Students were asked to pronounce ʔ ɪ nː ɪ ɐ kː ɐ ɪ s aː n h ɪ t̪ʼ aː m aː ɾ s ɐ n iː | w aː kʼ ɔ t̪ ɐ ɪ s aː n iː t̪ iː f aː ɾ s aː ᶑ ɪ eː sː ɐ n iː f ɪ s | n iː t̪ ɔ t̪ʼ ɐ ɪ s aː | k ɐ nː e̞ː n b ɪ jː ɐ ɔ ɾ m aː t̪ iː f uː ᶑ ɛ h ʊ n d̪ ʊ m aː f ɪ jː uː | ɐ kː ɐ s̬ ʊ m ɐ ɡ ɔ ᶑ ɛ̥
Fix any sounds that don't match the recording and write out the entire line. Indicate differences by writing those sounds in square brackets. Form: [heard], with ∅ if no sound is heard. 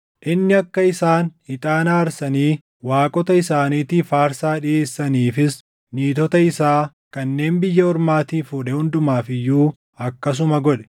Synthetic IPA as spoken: ʔ ɪ nː ɪ ɐ kː ɐ ɪ s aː n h ɪ t̪ʼ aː [n] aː ɾ s ɐ n iː | w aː kʼ ɔ t̪ ɐ ɪ s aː n iː t̪ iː f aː ɾ s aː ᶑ ɪ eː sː ɐ n iː f ɪ s | n iː t̪ ɔ [t̪] ɐ ɪ s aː | k ɐ nː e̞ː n b ɪ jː ɐ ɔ ɾ m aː t̪ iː f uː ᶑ ɛ h ʊ n d̪ ʊ m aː f ɪ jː uː | ɐ kː ɐ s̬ ʊ m ɐ ɡ ɔ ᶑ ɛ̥